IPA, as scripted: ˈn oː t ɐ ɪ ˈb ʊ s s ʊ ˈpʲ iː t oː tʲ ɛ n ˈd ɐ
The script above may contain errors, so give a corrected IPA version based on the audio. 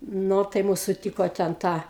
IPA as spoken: ˈn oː t ɐ ɪ ˈm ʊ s s ʊ ˈtʲ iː k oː tʲ ɛ n ˈt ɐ